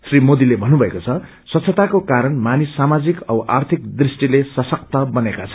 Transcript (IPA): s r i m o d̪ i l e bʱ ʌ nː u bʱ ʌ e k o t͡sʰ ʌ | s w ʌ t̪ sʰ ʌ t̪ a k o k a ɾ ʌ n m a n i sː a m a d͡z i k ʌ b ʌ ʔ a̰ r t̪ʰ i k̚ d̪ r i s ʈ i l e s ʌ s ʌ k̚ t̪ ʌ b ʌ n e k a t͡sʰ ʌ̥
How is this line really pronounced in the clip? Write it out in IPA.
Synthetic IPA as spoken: s r i m o d̪ i l e bʱ ʌ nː u bʱ ʌ e k o t͡sʰ ʌ | s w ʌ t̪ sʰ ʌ t̪ a k o k a ɾ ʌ n m a n i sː a m a d͡z i k ʌ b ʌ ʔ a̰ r t̪ʰ i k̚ d̪ r i s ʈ i l e s ʌ s ʌ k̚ t̪ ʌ b ʌ n e k a t͡sʰ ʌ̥